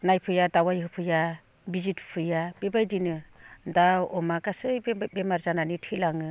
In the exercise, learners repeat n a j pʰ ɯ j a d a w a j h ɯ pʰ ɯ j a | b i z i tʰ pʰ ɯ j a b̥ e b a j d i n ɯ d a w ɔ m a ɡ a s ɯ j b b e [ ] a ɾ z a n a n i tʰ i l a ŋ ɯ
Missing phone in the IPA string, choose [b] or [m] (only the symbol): m